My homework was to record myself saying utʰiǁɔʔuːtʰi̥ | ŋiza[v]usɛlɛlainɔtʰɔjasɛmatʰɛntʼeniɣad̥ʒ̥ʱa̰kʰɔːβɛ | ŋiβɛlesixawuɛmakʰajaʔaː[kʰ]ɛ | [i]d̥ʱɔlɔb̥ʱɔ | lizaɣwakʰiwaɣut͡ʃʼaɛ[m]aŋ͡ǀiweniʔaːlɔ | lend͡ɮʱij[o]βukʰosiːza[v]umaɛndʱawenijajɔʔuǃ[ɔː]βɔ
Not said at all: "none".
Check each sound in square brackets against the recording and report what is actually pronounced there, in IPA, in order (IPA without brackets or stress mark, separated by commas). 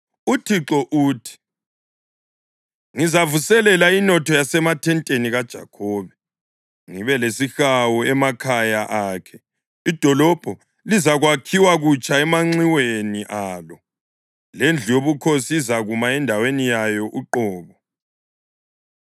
v, kʰ, i, m, o, ɣ, ɔː